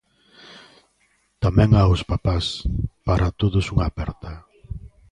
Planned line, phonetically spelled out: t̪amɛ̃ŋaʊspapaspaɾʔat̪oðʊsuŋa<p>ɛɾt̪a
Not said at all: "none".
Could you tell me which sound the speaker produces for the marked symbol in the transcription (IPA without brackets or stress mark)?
p